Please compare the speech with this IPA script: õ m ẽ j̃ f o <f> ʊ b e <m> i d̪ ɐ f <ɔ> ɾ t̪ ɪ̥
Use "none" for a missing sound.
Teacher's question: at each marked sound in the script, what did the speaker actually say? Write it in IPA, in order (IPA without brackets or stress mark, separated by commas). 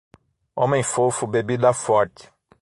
f, b, ɔ